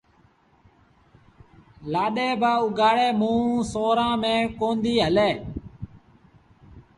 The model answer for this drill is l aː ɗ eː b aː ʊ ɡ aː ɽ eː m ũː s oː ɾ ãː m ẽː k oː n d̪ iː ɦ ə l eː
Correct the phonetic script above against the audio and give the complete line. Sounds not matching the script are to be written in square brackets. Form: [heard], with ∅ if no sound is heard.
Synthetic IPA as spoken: l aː ɗ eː b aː ʊ ɡ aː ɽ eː m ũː s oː ɾ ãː m ẽː k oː n d̪ iː ɦ ə l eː